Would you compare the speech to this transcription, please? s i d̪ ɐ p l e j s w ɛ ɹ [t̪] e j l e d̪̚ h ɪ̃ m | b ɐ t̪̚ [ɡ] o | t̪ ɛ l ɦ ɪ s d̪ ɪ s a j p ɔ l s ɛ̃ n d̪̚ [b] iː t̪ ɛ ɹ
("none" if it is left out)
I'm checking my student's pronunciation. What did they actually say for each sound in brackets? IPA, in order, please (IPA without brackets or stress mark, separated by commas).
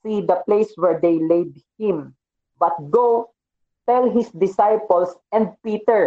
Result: d̪, ɡ, p